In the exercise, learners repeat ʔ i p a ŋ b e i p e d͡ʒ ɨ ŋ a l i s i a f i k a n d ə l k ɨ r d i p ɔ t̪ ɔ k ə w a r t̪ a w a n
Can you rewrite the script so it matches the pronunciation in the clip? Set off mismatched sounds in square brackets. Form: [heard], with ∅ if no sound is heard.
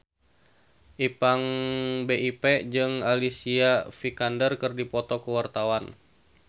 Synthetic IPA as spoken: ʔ i p a ŋ b e i p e d͡ʒ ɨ ŋ a l i s i a f i k a n d ə [r] k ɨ r d i p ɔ t̪ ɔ k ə w a r t̪ a w a n